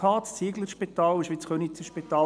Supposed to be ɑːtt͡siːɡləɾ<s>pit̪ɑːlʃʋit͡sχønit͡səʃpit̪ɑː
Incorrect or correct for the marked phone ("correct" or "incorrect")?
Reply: incorrect